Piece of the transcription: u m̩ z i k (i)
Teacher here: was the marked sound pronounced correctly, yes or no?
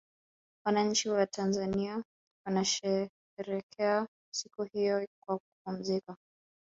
no